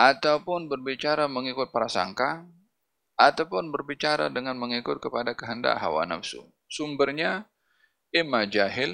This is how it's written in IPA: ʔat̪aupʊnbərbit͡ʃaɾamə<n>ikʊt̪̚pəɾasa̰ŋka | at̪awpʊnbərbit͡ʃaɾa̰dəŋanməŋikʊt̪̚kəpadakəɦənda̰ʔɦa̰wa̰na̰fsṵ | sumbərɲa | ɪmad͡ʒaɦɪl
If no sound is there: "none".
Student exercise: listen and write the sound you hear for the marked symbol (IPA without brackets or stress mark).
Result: ŋ